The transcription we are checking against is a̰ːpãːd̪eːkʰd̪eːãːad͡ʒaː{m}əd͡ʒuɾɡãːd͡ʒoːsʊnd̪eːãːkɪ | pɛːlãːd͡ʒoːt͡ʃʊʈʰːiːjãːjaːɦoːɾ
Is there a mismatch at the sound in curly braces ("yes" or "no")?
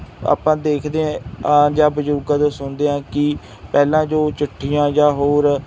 yes